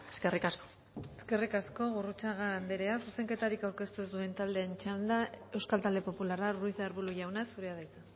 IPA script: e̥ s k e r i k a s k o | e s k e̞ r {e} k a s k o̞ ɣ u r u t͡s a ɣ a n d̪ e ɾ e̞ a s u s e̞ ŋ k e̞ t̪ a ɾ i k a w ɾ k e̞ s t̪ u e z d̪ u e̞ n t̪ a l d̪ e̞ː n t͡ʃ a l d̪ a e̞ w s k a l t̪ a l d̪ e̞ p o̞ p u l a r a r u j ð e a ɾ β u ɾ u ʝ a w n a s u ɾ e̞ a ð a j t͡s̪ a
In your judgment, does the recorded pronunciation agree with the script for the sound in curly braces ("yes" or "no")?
no